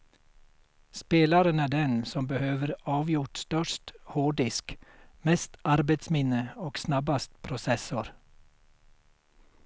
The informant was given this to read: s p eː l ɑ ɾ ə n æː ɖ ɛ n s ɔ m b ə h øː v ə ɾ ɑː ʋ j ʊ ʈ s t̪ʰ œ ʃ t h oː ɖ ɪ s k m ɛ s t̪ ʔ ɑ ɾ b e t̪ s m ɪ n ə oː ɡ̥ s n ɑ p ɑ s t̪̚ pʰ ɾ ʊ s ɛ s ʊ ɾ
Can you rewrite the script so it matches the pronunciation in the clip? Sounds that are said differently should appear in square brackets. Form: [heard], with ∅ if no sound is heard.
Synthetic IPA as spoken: s p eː l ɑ ɾ ə n æː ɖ ɛ n s ɔ m b ə h øː [ʋ] ə ɾ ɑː ʋ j ʊ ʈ s [t̪] œ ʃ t h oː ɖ ɪ s k m ɛ s t̪ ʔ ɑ ɾ b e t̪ s m ɪ n ə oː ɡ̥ s n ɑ [b] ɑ s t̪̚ pʰ ɾ ʊ s ɛ s ʊ ɾ